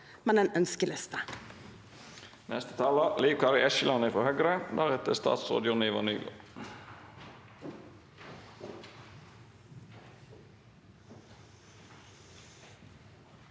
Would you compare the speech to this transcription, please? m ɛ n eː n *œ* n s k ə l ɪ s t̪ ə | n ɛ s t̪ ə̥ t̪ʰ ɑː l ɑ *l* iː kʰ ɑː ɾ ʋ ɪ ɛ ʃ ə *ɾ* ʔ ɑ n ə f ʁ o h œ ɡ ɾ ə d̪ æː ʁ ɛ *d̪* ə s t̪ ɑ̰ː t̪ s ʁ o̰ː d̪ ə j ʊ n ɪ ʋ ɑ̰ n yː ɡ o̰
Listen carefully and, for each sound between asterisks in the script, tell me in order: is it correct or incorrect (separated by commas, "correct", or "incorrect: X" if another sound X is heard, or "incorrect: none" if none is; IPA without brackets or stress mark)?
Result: correct, correct, incorrect: l, incorrect: t̪